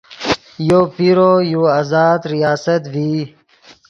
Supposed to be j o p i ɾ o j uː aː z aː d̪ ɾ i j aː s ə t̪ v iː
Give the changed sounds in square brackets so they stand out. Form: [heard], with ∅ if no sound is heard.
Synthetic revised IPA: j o p i ɾ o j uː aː z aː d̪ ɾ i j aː s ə t̪ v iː